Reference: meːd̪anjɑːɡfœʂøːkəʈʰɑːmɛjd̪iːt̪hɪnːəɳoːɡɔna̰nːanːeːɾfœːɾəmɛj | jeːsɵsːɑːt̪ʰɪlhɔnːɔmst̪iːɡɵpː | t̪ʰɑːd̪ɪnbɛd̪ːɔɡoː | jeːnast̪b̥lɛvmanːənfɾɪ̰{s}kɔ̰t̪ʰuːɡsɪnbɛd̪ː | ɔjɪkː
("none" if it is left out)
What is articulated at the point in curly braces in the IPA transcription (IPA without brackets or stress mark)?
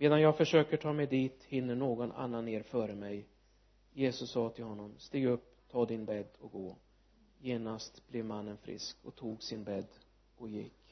s